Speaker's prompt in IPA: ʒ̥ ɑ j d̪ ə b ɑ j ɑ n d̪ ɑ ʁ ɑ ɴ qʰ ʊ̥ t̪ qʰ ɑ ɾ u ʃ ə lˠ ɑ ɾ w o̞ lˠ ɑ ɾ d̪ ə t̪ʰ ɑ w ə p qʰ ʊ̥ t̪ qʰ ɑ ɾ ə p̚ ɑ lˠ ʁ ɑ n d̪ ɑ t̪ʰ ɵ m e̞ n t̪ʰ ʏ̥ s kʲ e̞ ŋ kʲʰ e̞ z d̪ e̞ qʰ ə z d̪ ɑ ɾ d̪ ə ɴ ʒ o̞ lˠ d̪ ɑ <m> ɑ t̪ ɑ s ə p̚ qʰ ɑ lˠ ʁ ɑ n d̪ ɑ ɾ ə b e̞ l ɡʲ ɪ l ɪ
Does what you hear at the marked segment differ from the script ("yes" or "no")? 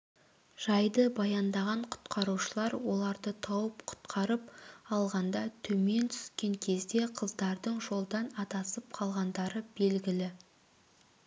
yes